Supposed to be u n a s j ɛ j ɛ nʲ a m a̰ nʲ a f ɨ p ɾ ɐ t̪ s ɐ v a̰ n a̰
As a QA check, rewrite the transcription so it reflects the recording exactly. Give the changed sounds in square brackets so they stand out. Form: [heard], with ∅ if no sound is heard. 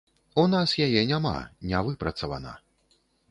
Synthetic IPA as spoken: u n a s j [a] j ɛ nʲ a m a̰ nʲ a [v] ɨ p ɾ ɐ t̪ s ɐ v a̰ n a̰